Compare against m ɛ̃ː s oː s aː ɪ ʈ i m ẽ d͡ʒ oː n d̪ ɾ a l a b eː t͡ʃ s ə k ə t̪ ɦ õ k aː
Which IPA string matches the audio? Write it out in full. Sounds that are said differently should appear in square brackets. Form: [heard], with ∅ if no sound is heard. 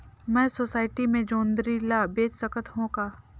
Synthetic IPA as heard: m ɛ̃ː s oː s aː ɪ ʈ i m ẽ d͡ʒ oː n d̪ ɾ [i] l a b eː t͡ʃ s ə k ə t̪ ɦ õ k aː